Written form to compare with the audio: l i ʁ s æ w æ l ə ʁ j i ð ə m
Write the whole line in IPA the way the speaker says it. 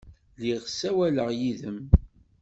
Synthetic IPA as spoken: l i ʁ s æ w æ l ə ʁ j i ð ə m